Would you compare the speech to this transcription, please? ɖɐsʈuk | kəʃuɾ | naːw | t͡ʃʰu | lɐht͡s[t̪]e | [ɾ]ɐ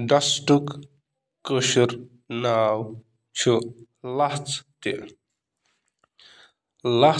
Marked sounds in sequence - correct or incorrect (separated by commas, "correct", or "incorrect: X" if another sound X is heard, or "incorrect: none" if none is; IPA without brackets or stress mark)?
correct, incorrect: l